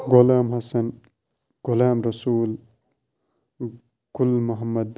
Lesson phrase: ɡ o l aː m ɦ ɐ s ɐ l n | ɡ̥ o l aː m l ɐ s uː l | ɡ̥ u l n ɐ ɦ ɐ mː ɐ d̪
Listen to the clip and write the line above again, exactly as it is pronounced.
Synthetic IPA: ɡ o l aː m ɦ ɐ s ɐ n | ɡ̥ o l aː m ɾ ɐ s uː l | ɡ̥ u l m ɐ ɦ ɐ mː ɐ d̪